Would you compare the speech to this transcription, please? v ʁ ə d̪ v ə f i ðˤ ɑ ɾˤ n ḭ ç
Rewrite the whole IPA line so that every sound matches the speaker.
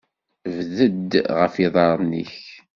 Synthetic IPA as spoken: v ð ə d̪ ʁ ə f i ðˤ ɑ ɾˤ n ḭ ç